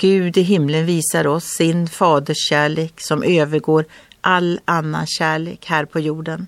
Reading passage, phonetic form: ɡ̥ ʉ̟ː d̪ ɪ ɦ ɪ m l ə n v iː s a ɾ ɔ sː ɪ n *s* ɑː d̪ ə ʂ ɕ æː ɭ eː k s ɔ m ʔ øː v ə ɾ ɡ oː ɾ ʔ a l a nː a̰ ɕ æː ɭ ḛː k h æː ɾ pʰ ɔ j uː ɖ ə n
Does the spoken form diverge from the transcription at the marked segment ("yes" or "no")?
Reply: yes